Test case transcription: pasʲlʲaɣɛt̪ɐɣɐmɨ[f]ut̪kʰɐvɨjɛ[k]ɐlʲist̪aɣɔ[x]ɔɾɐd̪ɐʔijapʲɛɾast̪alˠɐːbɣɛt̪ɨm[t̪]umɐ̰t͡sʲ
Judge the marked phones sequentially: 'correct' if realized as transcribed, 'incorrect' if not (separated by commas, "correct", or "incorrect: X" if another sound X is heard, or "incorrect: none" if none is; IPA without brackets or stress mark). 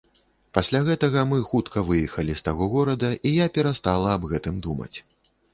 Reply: incorrect: x, incorrect: x, incorrect: ɣ, incorrect: d̪